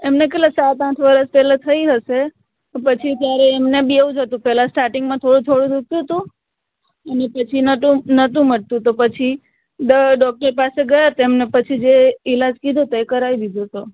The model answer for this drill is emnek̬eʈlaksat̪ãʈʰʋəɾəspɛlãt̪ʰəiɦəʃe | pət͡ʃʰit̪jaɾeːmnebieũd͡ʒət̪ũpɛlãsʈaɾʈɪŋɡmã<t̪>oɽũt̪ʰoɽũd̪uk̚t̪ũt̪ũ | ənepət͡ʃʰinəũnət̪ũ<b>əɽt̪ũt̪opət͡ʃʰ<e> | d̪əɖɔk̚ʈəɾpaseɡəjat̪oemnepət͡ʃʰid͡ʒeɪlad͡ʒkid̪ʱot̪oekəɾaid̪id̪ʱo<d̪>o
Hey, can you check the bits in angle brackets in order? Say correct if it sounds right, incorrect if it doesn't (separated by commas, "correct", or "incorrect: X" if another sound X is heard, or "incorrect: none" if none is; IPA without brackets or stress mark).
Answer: incorrect: t̪ʰ, incorrect: m, incorrect: i, incorrect: t̪